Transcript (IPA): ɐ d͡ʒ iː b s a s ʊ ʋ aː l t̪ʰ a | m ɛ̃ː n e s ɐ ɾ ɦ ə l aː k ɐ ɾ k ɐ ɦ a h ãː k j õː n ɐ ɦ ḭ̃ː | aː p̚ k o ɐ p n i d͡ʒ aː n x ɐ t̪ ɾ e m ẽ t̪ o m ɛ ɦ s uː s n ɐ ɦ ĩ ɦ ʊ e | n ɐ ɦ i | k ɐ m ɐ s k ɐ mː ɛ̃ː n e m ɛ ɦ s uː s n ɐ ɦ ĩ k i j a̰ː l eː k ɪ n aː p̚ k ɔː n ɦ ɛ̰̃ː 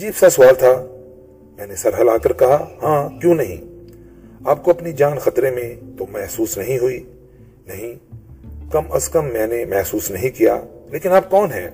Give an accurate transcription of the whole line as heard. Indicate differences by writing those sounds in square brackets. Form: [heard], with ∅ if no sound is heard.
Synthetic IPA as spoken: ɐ d͡ʒ iː b s a s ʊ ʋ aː l t̪ʰ a | m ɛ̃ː n e s ɐ ɾ ɦ ə l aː k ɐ ɾ k ɐ ɦ a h ãː k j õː n ɐ ɦ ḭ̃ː | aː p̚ k o ɐ p n i d͡ʒ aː n x ɐ t̪ ɾ e m ẽ t̪ o m ɛ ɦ s uː s n ɐ ɦ ĩ ɦ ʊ [i] | n ɐ ɦ [ĩ] | k ɐ m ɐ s k ɐ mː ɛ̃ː n e m ɛ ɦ s uː s n ɐ ɦ ĩ k i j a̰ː l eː k ɪ n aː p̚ k ɔː n ɦ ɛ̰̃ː